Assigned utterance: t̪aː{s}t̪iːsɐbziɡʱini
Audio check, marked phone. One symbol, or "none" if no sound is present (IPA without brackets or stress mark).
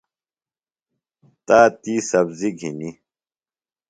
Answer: none